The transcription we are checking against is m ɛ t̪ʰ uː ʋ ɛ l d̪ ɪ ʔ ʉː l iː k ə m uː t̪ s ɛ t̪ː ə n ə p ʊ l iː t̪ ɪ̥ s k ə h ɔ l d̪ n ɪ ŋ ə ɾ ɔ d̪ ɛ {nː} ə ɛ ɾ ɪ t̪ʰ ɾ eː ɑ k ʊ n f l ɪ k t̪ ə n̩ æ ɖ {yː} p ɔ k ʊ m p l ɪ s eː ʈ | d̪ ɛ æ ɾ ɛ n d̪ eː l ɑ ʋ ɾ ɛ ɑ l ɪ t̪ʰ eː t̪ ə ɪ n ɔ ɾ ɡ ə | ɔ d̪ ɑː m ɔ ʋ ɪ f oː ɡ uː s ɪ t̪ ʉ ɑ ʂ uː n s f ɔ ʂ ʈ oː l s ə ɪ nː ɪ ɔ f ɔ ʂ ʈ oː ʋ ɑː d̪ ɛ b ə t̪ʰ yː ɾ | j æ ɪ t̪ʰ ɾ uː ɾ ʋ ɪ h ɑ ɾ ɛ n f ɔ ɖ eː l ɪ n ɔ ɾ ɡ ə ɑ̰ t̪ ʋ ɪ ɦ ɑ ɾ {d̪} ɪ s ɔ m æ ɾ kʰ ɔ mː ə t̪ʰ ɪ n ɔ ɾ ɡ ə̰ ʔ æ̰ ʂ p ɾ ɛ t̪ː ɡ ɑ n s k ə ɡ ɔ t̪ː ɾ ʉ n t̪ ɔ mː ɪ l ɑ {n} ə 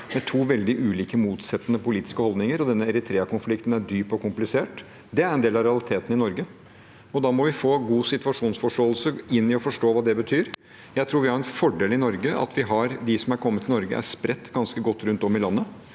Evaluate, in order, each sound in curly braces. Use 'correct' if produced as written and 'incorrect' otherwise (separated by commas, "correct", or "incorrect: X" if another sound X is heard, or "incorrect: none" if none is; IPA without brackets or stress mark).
correct, correct, correct, incorrect: nː